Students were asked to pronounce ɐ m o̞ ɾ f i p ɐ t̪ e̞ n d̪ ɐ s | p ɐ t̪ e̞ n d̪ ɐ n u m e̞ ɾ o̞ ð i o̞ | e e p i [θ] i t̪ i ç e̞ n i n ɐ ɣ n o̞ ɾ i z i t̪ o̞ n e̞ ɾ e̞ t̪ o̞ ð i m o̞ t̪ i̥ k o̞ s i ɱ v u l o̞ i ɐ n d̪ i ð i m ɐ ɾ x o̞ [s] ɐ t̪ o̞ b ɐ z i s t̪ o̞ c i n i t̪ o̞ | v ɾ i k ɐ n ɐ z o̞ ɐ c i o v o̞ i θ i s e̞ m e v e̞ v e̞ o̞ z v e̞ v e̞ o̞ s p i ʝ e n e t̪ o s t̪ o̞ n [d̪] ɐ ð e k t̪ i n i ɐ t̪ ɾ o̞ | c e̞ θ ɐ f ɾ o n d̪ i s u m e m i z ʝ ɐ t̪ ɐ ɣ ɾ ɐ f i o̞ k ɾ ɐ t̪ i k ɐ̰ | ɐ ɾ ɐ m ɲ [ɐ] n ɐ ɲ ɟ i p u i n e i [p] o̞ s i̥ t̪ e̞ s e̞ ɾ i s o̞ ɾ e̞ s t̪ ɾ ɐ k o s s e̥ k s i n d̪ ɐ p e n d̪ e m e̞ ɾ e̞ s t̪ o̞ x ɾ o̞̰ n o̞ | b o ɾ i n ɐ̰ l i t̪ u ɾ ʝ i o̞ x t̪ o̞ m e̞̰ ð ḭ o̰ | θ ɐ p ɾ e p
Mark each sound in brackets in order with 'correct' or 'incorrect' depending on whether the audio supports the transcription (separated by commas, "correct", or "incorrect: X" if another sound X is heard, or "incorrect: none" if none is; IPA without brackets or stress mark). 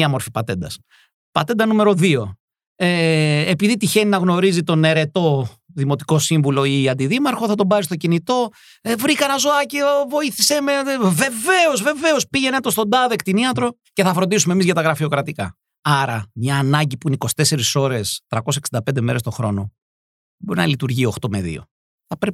incorrect: ð, incorrect: θ, correct, incorrect: ɐː, incorrect: k